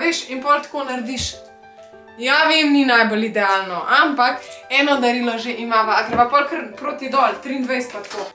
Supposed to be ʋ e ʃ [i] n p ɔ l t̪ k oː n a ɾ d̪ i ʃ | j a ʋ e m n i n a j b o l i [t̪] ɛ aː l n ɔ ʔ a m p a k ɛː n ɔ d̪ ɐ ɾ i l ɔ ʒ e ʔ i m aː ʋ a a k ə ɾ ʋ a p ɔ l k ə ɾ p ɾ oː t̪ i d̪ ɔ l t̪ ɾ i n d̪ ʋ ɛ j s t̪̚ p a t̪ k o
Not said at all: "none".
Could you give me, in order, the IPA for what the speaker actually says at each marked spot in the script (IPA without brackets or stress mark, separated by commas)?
i, d̪